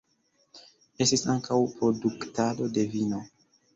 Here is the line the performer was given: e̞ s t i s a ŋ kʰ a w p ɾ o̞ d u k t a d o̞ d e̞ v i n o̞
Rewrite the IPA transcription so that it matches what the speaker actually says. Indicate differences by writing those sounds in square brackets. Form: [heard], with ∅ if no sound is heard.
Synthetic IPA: e̞ s t i s a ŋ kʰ a w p ɾ o̞ d u k t a d o̞ d e̞ v i n o̞